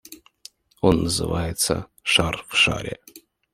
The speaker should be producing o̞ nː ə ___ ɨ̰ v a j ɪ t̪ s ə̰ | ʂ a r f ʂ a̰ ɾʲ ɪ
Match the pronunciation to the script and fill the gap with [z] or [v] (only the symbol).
z